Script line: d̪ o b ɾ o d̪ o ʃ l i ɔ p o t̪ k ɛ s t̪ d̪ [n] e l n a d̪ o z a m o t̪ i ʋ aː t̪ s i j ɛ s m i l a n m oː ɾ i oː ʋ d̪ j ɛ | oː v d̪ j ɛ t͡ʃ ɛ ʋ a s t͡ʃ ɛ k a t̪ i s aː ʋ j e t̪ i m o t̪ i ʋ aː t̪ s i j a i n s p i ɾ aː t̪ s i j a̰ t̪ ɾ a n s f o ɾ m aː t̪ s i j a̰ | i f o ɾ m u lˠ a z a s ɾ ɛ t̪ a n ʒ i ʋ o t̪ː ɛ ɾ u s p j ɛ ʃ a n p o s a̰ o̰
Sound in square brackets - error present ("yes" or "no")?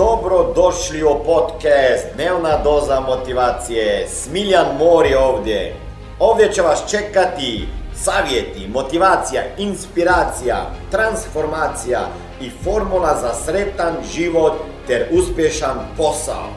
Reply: no